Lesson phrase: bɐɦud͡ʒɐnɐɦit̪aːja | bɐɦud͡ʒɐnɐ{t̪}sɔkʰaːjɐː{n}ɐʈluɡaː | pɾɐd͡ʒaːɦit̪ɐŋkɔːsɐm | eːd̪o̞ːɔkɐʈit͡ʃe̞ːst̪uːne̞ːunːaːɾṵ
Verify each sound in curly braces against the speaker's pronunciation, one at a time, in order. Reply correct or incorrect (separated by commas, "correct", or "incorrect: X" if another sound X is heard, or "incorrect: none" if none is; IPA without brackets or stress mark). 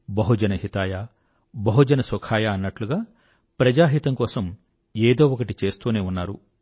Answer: incorrect: none, incorrect: nː